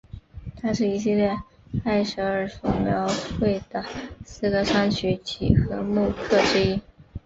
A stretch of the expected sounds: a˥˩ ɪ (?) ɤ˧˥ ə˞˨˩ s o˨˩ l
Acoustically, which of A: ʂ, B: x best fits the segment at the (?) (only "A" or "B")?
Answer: A